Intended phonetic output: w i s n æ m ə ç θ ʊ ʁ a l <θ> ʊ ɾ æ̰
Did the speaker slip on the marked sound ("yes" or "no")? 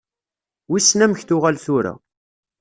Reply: no